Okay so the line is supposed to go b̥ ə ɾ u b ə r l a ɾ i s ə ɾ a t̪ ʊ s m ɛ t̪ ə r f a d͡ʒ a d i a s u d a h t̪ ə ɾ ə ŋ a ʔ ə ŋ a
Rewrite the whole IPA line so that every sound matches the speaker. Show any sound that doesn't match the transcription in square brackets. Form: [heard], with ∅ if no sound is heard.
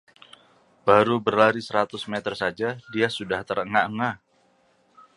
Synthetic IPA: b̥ [a] ɾ u b ə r l a ɾ i s ə ɾ a t̪ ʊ s m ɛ t̪ ə r [s] a d͡ʒ a d i a s u d a h t̪ ə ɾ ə ŋ a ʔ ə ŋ a